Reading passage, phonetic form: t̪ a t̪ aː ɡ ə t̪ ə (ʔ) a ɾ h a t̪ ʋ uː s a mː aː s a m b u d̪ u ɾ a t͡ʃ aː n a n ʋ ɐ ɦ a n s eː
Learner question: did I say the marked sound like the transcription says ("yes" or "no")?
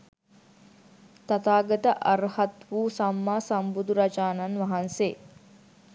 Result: yes